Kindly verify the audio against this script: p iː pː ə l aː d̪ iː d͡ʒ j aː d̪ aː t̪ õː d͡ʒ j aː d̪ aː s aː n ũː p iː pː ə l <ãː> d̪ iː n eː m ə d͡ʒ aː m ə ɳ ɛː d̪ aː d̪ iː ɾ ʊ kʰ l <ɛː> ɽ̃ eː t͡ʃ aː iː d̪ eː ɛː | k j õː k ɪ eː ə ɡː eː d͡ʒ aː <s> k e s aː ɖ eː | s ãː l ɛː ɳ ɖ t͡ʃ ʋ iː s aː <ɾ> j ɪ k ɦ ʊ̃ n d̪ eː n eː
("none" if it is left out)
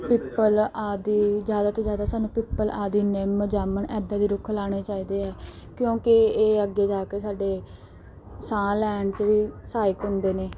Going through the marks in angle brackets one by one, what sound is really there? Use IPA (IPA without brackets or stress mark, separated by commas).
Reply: aː, aː, none, none